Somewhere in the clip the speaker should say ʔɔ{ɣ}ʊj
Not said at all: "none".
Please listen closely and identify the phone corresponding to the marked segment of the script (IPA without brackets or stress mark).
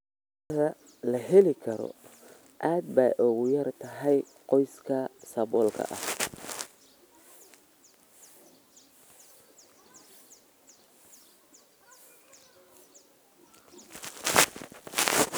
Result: ɣ